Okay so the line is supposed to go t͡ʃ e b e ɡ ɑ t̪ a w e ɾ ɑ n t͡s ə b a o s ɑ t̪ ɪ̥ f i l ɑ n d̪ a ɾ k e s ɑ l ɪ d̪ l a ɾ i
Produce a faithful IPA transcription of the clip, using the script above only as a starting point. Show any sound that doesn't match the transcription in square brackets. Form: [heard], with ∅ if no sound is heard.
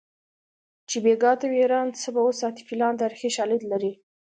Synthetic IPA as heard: t͡ʃ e b e ɡ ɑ t̪ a w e ɾ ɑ n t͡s ə b a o s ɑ t̪ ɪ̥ f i l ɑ n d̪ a ɾ [x] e [ʃ] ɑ l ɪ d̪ l a ɾ i